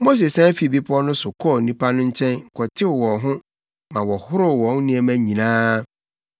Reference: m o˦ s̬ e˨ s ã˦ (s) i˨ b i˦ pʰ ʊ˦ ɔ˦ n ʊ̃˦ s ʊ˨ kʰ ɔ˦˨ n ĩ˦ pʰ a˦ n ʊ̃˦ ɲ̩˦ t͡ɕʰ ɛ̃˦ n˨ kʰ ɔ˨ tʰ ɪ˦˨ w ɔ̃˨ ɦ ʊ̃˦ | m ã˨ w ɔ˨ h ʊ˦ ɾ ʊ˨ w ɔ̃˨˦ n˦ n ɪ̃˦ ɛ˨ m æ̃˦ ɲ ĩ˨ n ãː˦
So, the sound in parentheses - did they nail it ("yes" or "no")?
no